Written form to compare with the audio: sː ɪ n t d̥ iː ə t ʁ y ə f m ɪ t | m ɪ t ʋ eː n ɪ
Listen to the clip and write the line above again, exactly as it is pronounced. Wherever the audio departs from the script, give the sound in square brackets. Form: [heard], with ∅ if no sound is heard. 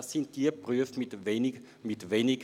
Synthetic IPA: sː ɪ n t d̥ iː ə [p] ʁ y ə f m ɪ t | m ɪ t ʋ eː n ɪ